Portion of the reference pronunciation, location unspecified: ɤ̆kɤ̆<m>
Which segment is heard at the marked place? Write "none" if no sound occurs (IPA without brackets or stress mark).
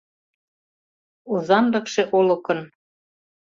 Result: n